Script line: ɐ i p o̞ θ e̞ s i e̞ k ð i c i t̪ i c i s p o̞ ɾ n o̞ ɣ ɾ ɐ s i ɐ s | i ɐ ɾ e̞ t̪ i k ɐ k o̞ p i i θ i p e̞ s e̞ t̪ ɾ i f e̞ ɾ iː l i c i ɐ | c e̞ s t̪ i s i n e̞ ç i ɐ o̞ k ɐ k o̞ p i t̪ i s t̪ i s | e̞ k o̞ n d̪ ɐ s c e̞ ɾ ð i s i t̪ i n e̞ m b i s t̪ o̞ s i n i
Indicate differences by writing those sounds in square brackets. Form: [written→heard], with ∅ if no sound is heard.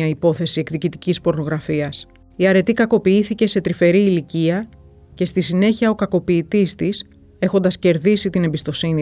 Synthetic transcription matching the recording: ɐ i p o̞ θ e̞ s i e̞ k ð i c i t̪ i c i s p o̞ ɾ n o̞ ɣ ɾ ɐ [s→f] i ɐ s | i ɐ ɾ e̞ t̪ i k ɐ k o̞ p i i θ i [p→c] e̞ s e̞ t̪ ɾ i f e̞ ɾ iː l i c i ɐ | c e̞ s t̪ i s i n e̞ ç i ɐ o̞ k ɐ k o̞ p [i→iː] t̪ i s t̪ i s | e̞ [k→x] o̞ n d̪ ɐ s c e̞ ɾ ð i s i t̪ i n e̞ m b i s t̪ o̞ s i n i